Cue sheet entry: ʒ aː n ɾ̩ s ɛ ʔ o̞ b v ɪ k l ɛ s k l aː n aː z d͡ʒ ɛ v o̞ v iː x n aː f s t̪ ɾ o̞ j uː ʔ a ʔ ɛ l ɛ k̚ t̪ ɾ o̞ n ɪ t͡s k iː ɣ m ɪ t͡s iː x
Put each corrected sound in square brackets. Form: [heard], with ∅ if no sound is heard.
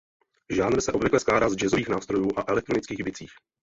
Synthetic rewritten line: ʒ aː n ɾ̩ s ɛ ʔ o̞ b v ɪ k l ɛ s k l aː [d] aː z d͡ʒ ɛ [z] o̞ v iː x n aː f s t̪ ɾ o̞ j uː ʔ a ʔ ɛ l ɛ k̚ t̪ ɾ o̞ n ɪ t͡s k iː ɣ [b] ɪ t͡s iː x